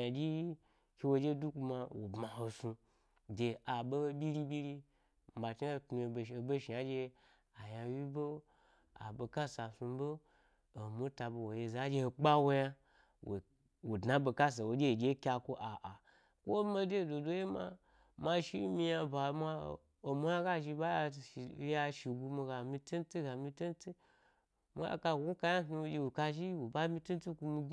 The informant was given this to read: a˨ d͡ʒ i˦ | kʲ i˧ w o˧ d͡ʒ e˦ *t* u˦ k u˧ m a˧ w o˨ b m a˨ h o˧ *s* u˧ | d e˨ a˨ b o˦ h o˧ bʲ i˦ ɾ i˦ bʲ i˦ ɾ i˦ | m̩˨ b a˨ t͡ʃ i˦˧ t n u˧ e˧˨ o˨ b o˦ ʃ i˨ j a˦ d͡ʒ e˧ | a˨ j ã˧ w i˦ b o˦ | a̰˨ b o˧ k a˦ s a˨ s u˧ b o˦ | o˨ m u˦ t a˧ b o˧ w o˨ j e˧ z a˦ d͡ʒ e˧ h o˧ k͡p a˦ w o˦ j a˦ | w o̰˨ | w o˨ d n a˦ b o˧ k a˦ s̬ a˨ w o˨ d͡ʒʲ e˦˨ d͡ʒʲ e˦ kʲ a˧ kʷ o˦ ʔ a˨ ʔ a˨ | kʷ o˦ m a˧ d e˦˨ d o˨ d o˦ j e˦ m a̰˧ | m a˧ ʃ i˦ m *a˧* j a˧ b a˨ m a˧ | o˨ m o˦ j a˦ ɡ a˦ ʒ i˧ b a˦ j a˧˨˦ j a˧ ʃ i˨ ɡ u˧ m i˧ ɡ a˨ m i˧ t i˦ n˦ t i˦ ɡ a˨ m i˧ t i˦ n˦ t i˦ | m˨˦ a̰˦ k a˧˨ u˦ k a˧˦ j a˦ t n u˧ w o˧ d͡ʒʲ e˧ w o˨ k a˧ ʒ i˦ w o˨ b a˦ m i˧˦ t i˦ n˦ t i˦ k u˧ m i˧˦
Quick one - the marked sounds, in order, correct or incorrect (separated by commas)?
incorrect, correct, incorrect